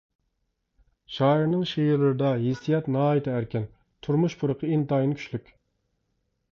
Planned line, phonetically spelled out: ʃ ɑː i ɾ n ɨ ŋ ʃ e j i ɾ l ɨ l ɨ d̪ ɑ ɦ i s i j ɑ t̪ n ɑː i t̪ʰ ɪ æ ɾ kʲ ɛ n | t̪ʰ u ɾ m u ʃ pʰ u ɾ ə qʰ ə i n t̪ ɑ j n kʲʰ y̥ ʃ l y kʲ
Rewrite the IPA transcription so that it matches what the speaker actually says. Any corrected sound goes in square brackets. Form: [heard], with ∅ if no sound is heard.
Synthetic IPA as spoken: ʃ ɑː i ɾ n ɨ ŋ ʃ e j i ɾ l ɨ [ɾ] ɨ d̪ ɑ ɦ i s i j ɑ t̪ n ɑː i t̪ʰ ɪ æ ɾ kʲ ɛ n | t̪ʰ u ɾ m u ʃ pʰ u ɾ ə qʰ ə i n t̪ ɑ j n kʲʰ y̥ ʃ l y kʲ